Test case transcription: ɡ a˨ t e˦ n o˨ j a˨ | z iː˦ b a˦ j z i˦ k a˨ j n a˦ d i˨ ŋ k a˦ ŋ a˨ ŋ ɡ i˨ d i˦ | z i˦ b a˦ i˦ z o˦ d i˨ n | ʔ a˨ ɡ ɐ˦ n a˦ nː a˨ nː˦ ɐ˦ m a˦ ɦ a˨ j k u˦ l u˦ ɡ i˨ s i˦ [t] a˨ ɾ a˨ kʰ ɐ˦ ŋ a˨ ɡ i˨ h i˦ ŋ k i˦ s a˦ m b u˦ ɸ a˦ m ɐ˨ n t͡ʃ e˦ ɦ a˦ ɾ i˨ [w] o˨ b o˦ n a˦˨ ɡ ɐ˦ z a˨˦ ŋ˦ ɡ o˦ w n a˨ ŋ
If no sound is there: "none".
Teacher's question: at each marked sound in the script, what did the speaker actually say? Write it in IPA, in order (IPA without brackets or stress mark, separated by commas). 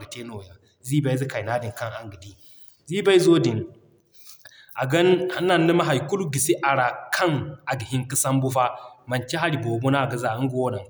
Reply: ʔ, b